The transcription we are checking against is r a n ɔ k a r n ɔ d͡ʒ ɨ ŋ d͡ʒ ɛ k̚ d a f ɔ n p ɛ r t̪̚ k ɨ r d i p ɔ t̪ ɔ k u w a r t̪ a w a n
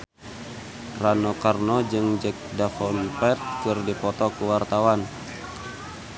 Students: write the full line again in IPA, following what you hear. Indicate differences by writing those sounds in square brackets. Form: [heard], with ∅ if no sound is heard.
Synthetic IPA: r a n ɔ k a r n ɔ d͡ʒ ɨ ŋ d͡ʒ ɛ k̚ d a f ɔ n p ɛ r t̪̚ k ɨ r d i p ɔ t̪ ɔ k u w a r t̪ a w a n